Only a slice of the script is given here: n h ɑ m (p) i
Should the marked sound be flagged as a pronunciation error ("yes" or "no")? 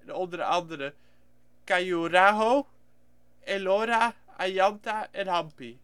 no